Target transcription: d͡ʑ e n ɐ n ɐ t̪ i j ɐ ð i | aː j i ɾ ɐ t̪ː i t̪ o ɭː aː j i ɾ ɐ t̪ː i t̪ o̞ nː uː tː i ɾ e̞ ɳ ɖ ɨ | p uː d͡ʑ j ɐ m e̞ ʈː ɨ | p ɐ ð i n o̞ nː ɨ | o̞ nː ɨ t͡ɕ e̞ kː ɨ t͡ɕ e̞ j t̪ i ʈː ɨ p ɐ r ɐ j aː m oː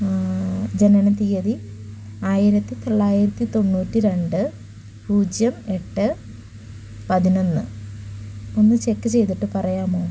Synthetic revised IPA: d͡ʑ e n ɐ n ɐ t̪ i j ɐ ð i | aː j i ɾ ɐ t̪ː i t̪ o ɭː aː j i ɾ ɐ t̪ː i t̪ o̞ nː uː tː i ɾ e̞ ɳ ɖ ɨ | p uː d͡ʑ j ɐ m e̞ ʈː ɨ | p ɐ ð i n o̞ nː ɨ | o̞ nː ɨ t͡ɕ e̞ kː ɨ t͡ɕ e̞ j t̪ i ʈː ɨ p ɐ r ɐ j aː m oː